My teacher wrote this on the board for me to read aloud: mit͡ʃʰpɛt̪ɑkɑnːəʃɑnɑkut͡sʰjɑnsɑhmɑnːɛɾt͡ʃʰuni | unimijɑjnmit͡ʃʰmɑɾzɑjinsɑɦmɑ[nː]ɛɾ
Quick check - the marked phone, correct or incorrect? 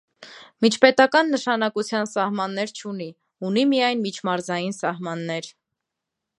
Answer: correct